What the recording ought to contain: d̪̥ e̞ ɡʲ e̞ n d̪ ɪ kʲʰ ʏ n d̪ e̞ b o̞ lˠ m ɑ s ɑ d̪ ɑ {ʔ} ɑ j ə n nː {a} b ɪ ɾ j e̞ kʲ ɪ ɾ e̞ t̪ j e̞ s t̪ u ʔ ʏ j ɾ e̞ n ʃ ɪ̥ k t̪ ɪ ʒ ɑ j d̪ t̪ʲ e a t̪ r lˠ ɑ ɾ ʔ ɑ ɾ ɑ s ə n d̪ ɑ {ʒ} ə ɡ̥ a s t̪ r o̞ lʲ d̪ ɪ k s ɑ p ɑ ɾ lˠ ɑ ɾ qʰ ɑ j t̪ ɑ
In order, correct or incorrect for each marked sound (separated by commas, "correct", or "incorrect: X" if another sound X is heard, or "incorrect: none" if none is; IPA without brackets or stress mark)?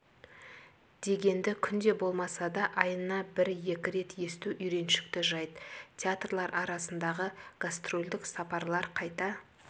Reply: correct, incorrect: ɑ, incorrect: ʁ